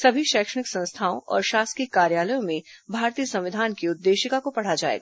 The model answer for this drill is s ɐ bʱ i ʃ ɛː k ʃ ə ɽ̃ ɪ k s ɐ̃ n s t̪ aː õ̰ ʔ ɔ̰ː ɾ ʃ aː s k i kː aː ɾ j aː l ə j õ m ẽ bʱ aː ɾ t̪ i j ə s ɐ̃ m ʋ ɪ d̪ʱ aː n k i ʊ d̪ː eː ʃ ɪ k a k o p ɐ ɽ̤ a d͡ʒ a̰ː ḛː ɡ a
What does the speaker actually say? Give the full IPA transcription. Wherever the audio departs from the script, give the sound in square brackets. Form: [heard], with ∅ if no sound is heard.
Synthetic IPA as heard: s ɐ bʱ i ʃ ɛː k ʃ ə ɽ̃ ɪ k s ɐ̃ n s [t̪ʰ] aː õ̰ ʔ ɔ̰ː ɾ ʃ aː s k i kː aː ɾ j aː l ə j õ m ẽ bʱ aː ɾ t̪ i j ə s ɐ̃ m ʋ ɪ d̪ʱ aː n k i ʊ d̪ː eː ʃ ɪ k a k o p ɐ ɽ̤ a d͡ʒ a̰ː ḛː ɡ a